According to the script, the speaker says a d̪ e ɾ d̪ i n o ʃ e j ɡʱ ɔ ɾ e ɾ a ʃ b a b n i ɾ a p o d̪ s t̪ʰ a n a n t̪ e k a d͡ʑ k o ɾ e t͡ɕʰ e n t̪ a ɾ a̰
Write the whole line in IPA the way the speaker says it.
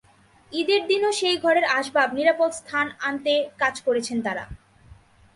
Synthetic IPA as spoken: i d̪ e ɾ d̪ i n o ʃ e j ɡʱ ɔ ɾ e ɾ a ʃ b a b n i ɾ a p o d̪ s t̪ʰ a n a n t̪ e k a d͡ʑ k o ɾ e t͡ɕʰ e n t̪ a ɾ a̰